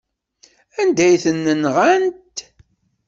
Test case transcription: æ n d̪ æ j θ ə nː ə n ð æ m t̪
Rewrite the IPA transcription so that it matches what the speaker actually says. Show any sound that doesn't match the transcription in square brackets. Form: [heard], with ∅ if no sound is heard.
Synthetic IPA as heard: æ n d̪ æ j θ ə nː ə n [ʁ] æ [n] t̪